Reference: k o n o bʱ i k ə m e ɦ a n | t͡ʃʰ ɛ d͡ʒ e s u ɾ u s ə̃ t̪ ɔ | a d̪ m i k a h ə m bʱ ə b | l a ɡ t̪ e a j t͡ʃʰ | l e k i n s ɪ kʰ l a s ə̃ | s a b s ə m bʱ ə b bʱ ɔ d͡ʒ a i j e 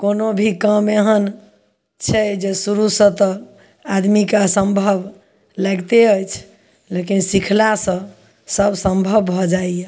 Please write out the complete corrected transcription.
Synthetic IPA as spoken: k o n o bʱ i k ə m e ɦ ə n | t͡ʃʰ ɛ d͡ʒ e s u ɾ u s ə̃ t̪ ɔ | a d̪ m i k a s ə m bʱ ə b | l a ɡ t̪ e ə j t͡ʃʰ | l e k i n s i kʰ l a s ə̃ | s ə b s ə m bʱ ə b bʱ ɔ d͡ʒ a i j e